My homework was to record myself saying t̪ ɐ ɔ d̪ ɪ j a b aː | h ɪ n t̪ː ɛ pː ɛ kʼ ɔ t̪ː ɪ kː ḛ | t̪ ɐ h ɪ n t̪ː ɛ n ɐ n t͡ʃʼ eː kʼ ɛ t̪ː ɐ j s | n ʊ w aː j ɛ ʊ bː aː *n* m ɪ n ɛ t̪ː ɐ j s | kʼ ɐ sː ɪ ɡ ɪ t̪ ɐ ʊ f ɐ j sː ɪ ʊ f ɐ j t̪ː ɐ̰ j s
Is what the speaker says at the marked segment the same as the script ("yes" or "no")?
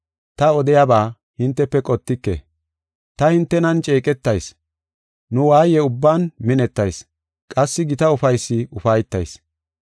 yes